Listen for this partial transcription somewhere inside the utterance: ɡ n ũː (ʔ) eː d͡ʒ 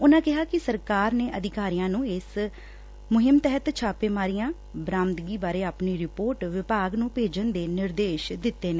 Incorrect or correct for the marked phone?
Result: incorrect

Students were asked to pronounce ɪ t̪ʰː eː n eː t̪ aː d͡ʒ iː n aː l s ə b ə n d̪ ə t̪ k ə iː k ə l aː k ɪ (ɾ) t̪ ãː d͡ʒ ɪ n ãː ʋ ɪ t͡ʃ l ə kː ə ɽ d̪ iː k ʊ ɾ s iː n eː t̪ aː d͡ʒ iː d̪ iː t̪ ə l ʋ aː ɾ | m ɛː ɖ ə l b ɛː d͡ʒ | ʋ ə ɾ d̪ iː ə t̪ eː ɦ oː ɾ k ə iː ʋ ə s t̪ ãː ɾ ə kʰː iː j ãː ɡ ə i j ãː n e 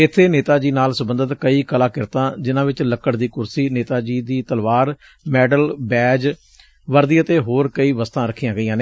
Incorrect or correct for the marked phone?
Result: correct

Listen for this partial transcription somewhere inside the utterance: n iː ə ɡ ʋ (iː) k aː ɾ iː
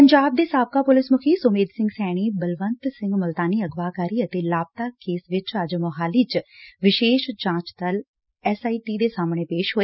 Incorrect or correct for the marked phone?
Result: incorrect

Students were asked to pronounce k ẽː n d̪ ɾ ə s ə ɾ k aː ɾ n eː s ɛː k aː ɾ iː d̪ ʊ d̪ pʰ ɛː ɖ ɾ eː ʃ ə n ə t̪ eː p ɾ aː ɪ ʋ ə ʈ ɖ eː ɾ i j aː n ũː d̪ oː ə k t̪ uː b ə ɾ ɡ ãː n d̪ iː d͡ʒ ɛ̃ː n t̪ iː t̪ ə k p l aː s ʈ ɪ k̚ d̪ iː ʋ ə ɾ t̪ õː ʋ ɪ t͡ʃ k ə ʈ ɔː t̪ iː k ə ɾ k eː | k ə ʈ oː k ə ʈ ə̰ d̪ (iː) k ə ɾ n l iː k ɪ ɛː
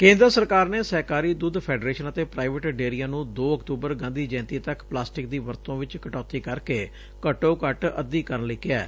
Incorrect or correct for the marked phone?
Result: correct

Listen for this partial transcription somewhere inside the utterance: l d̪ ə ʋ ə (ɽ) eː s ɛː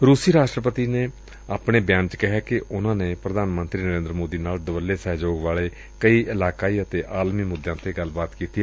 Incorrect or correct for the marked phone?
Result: incorrect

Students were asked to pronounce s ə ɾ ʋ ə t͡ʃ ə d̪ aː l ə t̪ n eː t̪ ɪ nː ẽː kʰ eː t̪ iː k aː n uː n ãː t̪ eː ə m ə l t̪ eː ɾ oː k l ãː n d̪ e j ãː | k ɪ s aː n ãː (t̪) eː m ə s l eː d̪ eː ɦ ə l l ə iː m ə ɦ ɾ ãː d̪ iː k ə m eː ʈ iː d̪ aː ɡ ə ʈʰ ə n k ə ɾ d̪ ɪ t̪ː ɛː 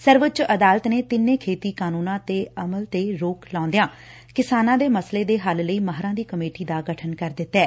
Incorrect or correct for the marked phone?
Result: incorrect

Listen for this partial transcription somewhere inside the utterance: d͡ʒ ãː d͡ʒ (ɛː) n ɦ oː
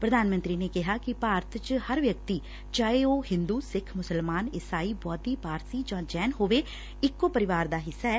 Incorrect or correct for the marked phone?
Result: correct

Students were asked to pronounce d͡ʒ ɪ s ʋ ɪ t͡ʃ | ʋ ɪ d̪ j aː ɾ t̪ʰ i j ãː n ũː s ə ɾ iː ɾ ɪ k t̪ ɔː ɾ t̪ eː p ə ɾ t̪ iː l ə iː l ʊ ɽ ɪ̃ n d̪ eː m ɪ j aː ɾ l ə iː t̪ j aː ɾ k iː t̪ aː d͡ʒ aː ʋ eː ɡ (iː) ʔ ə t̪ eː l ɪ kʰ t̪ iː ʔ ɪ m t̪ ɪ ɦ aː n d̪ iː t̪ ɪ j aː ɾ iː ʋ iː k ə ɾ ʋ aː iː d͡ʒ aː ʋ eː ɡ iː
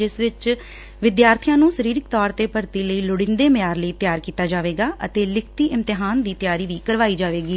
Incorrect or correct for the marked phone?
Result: incorrect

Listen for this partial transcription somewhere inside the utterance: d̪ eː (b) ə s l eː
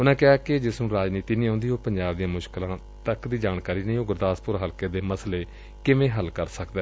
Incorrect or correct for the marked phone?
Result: incorrect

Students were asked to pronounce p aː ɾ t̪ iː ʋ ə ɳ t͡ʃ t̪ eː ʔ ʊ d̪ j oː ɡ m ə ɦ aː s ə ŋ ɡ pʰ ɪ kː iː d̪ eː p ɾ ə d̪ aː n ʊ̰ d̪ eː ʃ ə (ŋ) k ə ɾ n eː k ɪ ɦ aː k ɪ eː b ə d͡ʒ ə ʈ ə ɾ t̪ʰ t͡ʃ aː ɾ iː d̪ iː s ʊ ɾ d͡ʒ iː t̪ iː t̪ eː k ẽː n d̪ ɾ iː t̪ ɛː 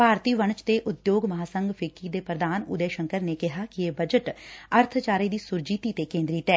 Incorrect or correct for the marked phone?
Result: correct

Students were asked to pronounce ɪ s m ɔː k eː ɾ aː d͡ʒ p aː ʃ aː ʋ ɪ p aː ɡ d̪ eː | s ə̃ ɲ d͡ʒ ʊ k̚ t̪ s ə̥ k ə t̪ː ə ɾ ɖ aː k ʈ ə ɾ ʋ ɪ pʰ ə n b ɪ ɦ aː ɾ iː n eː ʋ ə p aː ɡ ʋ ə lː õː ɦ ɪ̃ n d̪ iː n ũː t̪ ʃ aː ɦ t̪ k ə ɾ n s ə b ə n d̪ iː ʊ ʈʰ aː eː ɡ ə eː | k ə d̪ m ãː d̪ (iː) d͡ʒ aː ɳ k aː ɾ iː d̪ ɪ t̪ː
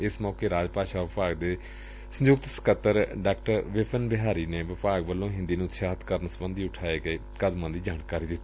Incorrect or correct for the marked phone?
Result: correct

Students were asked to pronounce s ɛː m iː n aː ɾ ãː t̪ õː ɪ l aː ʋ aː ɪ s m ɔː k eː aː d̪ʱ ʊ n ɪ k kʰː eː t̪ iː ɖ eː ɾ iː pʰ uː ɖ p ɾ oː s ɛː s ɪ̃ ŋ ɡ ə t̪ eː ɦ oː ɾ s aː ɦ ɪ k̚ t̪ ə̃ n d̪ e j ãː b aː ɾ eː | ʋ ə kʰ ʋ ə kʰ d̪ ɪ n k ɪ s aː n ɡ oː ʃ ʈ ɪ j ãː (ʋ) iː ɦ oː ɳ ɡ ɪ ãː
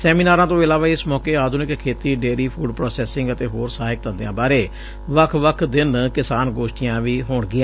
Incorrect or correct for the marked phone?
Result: correct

